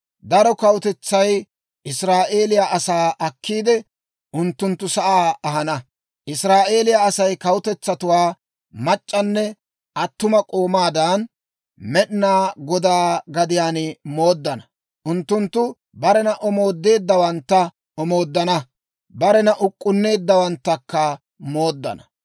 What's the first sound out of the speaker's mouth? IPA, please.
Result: d̪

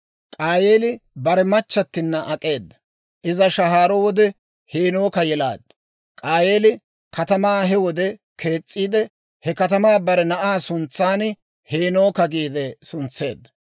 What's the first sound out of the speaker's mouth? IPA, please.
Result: kʼ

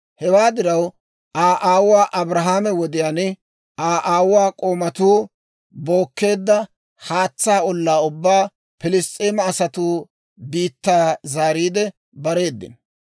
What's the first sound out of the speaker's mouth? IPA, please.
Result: h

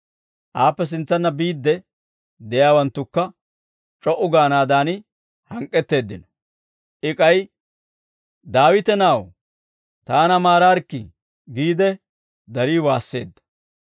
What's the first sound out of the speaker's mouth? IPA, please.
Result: ʔ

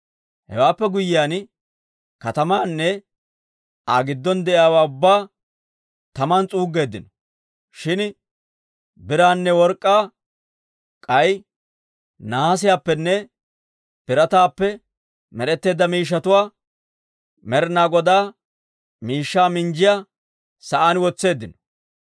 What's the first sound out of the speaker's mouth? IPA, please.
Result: h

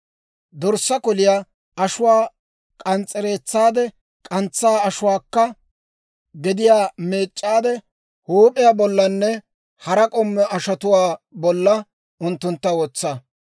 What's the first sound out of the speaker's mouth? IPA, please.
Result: d̪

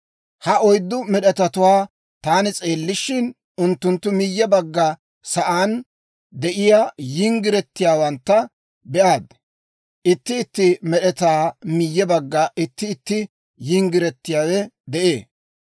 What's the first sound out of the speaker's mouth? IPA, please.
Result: h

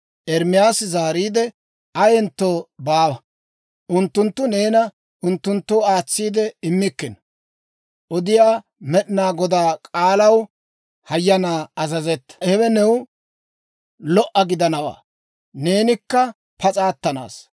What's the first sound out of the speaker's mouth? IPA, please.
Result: ʔ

